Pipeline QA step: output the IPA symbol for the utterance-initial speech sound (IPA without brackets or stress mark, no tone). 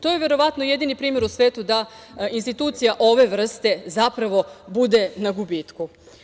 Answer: t̪